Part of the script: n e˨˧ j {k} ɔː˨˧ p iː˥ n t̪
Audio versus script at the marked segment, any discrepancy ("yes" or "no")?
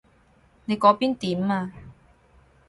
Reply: no